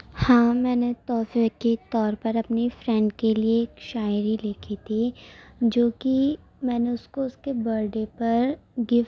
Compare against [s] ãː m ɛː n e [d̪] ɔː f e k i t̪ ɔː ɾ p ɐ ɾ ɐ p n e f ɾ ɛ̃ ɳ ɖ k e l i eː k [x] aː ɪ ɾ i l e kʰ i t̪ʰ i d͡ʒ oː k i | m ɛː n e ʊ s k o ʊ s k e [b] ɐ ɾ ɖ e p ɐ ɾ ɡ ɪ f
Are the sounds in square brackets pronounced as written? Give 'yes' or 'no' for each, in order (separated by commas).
no, no, no, yes